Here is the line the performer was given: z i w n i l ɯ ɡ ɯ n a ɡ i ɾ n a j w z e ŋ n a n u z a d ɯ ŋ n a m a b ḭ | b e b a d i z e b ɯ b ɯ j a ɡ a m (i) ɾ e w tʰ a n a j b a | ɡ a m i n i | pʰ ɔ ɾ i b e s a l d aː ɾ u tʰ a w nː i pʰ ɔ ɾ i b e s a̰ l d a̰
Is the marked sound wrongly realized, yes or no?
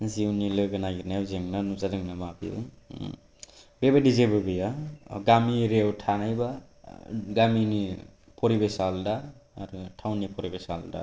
no